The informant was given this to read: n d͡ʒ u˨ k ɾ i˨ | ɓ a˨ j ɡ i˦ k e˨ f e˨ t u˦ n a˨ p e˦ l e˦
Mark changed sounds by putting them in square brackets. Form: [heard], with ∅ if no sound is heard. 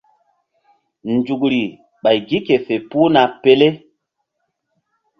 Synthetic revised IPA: n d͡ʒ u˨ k ɾ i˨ | ɓ a˨ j ɡ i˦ k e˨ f e˨ [p] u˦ n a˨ p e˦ l e˦